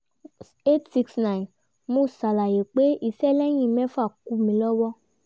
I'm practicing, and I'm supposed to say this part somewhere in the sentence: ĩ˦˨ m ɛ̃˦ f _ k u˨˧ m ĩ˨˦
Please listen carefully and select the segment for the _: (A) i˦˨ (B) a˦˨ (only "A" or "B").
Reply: B